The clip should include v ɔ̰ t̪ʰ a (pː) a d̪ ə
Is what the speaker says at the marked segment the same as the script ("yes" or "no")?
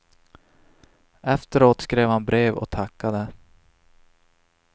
no